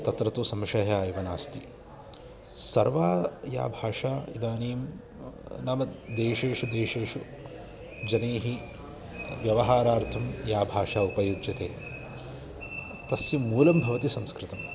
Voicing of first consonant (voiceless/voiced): voiceless